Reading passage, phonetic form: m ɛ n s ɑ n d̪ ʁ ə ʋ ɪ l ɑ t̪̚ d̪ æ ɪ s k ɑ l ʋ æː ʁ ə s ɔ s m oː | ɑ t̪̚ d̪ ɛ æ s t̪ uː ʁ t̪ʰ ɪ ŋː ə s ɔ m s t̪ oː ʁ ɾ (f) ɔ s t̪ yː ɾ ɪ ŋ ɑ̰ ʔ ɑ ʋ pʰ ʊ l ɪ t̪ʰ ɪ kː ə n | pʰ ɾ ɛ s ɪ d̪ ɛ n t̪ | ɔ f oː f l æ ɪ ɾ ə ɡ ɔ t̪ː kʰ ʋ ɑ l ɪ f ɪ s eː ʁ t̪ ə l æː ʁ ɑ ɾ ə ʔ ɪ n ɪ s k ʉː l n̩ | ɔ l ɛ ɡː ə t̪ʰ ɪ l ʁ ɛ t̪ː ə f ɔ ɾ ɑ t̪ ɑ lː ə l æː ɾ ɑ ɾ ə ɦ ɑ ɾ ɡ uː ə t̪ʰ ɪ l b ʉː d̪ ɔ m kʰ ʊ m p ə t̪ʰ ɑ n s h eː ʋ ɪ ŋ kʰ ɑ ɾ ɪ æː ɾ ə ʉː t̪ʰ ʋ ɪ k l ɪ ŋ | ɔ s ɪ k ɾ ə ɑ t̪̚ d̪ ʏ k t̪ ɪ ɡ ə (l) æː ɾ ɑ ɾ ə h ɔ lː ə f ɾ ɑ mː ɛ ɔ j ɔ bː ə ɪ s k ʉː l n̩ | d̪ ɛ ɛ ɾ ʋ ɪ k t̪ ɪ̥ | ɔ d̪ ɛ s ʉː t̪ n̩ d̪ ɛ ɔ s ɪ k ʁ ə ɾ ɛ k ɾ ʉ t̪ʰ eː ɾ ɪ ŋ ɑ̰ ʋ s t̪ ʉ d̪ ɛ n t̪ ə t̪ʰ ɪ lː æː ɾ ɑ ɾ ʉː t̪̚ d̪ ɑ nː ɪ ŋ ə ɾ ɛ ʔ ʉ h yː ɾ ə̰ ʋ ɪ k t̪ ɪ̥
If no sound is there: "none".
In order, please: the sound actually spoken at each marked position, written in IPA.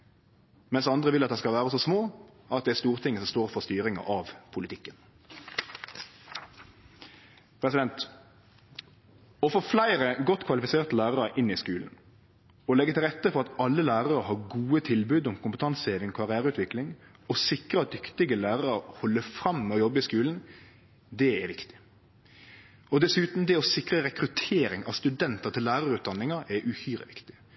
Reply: f, l

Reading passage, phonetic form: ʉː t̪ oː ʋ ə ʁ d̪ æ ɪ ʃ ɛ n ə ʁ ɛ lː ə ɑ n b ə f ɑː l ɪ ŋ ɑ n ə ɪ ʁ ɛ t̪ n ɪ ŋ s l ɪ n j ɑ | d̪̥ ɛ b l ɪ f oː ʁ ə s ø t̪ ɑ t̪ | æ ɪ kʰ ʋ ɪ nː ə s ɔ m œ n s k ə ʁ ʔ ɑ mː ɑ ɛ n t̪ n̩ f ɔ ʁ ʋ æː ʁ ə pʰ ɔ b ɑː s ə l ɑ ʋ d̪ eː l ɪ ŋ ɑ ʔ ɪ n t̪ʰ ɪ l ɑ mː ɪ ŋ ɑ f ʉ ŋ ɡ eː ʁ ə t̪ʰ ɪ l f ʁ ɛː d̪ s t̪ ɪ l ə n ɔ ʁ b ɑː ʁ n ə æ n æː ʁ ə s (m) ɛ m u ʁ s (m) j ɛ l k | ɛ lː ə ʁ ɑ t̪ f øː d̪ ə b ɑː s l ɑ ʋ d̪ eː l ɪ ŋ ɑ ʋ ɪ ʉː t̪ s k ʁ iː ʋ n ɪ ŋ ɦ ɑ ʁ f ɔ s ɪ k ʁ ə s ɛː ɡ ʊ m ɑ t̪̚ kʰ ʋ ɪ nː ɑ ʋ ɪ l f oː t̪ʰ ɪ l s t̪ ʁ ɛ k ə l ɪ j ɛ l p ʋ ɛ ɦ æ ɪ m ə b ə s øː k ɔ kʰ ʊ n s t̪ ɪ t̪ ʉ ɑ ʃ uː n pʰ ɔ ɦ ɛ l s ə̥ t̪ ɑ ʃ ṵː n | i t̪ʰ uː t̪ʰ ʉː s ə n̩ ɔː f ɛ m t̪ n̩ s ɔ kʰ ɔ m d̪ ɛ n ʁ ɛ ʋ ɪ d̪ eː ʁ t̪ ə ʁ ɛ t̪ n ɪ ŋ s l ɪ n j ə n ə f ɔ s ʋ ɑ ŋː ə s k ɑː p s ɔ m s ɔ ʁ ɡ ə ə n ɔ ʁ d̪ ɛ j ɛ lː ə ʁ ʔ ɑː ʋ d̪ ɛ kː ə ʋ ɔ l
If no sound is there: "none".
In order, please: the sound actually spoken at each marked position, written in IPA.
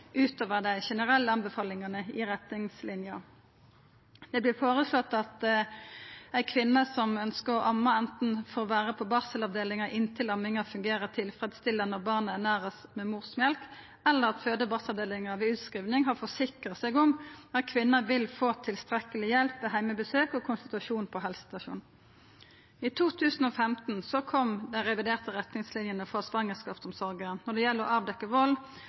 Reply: m, m

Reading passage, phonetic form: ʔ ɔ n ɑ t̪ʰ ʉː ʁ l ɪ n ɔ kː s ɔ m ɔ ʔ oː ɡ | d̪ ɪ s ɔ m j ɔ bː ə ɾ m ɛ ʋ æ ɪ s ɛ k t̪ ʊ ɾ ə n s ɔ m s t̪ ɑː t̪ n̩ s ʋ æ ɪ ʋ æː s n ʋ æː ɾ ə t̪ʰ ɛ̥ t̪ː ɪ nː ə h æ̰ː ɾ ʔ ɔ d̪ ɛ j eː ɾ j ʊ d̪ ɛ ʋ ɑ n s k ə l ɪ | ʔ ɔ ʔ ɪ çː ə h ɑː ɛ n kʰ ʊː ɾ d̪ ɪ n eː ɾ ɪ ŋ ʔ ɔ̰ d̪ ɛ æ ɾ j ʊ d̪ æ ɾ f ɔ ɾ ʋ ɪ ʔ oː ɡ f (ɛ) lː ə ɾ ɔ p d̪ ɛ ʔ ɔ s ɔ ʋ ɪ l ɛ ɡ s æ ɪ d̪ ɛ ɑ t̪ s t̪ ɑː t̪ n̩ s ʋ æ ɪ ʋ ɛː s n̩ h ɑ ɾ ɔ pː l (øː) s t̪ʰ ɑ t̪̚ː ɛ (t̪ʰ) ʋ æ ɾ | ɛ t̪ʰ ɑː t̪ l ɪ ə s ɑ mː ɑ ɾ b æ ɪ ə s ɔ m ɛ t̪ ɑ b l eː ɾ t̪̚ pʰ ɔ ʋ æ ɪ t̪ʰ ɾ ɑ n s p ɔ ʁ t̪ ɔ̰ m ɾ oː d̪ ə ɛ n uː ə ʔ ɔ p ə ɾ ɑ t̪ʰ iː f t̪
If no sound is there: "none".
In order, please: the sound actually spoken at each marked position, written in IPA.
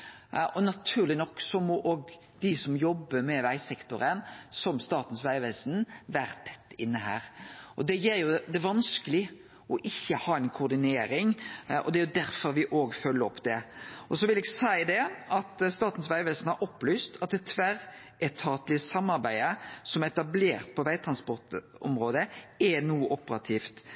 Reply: œ, yː, t̪ʰ

